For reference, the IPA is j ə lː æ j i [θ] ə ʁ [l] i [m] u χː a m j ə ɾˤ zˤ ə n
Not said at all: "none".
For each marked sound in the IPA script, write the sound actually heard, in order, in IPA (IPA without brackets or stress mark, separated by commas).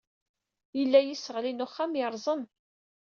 s, l, n